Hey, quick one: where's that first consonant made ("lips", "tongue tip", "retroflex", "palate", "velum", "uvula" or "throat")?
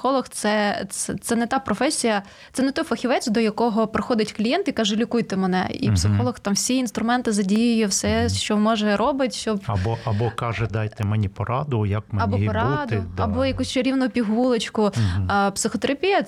velum